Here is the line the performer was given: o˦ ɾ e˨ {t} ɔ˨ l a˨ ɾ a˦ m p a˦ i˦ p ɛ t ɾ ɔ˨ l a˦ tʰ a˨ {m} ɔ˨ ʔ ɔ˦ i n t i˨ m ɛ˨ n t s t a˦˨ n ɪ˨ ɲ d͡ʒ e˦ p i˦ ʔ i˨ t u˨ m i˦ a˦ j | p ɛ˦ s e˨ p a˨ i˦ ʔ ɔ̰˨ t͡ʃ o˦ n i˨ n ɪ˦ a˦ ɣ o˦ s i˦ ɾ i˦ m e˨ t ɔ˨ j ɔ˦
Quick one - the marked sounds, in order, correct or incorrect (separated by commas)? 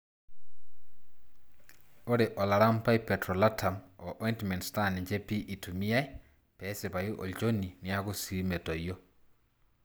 incorrect, correct